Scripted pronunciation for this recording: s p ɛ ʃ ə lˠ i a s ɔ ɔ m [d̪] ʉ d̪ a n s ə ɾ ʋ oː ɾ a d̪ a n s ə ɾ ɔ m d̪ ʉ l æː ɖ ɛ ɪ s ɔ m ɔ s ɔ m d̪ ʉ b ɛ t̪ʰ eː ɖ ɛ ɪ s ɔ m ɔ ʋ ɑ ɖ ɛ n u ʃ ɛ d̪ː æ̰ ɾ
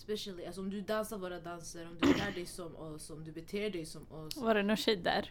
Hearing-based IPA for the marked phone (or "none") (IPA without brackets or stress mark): d̪